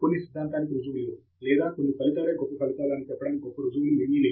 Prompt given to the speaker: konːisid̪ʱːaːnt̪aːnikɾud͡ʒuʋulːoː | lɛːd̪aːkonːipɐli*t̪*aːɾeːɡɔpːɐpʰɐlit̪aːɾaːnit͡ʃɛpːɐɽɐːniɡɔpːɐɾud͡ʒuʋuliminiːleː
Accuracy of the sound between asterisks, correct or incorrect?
correct